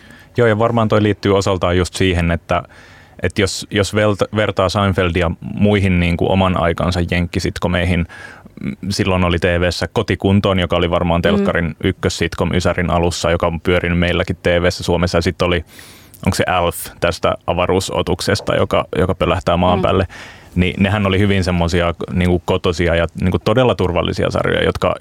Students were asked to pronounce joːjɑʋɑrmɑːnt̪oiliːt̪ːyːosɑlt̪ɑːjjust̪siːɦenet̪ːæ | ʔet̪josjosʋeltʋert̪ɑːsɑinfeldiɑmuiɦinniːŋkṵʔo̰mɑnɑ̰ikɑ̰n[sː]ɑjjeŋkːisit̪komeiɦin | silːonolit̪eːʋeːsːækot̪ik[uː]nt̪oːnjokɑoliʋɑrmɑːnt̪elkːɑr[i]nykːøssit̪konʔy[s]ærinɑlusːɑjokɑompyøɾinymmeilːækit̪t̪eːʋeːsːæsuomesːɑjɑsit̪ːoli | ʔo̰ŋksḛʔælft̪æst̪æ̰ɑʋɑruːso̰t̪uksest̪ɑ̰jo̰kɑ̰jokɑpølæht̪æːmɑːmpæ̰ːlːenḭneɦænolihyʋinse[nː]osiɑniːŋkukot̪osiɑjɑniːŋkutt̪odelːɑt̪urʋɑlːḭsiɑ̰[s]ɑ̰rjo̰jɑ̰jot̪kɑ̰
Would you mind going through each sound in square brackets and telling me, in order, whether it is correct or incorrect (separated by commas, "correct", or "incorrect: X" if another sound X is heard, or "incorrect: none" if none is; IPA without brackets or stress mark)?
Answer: incorrect: s, incorrect: u, correct, correct, incorrect: mː, correct